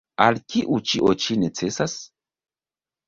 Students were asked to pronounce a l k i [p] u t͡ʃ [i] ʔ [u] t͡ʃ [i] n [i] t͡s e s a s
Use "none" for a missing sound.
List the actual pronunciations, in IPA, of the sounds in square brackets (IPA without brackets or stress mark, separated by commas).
ʔ, i, o, i, e